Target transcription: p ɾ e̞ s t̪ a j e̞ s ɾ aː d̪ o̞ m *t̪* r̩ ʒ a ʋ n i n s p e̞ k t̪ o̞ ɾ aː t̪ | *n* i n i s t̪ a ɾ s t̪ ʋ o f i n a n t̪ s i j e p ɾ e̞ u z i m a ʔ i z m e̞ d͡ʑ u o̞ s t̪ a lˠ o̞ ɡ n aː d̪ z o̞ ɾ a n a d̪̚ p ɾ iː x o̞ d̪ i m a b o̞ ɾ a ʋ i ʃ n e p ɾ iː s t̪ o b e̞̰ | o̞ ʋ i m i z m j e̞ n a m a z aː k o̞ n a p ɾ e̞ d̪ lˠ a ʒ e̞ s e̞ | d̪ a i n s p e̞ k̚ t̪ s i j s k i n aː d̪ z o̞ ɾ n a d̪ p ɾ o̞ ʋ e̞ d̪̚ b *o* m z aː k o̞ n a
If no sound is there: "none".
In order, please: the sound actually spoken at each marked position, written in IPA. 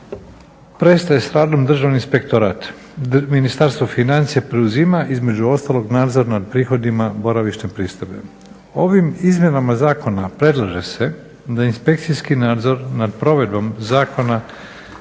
d̪, m, o

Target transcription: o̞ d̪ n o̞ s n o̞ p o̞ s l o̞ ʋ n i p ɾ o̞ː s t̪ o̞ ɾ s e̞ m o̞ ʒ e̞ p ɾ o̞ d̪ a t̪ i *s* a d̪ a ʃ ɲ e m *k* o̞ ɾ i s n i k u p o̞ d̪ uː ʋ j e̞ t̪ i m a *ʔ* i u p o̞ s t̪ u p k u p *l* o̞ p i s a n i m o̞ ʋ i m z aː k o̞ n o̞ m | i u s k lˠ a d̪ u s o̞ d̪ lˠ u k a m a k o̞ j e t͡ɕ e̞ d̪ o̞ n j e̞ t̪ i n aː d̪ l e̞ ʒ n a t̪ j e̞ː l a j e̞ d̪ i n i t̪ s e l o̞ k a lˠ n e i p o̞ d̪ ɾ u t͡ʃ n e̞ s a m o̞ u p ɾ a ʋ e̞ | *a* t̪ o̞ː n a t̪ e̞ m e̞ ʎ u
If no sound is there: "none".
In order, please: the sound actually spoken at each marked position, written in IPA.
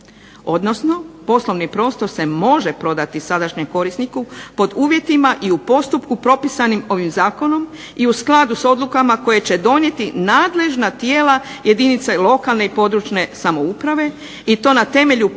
s, k, ʔ, ɾ, i

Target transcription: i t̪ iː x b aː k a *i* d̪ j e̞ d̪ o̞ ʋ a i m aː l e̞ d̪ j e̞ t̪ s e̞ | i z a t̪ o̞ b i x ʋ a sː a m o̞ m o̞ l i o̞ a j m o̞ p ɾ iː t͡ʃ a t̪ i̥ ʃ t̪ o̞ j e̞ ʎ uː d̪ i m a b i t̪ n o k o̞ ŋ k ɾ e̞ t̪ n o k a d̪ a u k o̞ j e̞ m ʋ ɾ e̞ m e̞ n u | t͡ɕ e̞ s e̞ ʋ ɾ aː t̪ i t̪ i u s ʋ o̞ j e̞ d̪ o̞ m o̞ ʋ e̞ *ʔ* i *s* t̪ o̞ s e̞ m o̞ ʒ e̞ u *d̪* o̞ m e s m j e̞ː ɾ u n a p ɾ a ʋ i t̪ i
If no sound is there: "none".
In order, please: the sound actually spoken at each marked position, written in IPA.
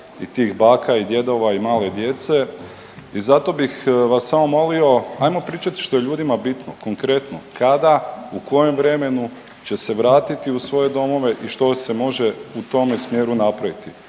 i, ʔ, ʃ, t̪

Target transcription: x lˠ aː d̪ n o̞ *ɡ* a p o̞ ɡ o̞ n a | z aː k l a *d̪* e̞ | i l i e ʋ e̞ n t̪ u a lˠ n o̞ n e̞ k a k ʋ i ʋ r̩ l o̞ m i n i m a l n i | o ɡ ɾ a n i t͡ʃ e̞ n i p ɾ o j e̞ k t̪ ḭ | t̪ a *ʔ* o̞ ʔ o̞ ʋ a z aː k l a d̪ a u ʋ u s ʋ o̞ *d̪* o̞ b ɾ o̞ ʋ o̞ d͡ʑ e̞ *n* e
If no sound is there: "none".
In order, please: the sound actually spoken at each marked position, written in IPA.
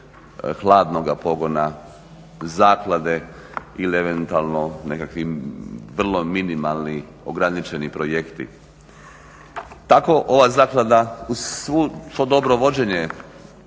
ɡ, d̪, k, d̪, ɲ

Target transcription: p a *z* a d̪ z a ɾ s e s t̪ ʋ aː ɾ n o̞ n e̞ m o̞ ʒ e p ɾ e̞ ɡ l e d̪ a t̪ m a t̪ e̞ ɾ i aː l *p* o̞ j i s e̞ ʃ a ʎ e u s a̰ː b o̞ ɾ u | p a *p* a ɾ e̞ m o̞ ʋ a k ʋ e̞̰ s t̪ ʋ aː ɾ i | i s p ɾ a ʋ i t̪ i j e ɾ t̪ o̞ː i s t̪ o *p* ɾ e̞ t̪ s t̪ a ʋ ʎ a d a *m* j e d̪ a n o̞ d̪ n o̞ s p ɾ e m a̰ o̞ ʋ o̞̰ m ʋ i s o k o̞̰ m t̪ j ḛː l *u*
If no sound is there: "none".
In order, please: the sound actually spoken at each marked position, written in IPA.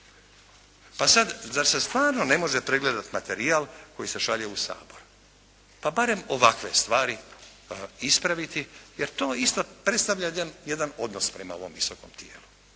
s, k, b, p, n, u

